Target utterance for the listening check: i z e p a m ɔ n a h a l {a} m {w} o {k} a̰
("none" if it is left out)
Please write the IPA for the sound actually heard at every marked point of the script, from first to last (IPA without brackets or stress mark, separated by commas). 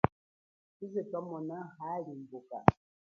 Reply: i, b, k